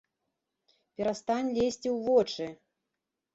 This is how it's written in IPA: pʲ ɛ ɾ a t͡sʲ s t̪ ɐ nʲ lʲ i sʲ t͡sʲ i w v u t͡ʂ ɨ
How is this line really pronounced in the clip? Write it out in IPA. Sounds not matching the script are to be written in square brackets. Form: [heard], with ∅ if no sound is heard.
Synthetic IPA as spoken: pʲ ɛ ɾ a [∅] s t̪ [a] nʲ lʲ [e] sʲ t͡sʲ i w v [ɔ] t͡ʂ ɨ